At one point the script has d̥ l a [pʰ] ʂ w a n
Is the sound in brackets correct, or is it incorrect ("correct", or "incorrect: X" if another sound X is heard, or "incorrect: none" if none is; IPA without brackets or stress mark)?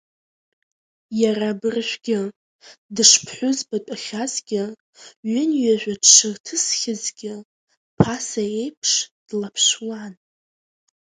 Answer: correct